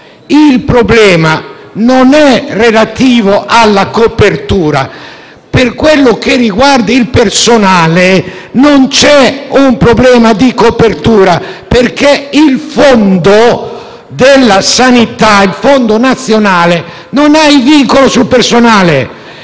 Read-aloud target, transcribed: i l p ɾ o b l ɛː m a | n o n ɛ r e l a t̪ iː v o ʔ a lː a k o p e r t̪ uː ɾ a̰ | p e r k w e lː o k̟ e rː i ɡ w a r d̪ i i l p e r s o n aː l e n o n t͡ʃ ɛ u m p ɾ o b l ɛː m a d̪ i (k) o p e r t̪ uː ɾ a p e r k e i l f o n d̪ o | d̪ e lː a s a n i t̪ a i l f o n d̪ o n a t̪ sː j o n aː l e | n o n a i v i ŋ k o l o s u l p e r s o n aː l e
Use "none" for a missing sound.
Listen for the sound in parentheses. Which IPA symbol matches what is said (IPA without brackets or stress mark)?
k